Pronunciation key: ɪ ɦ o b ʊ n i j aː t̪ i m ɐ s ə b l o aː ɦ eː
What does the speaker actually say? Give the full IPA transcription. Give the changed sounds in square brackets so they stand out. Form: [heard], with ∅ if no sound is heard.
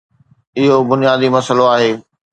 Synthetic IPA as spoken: ɪ ɦ o b ʊ n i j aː [d̪] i m ɐ s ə [∅] l o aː ɦ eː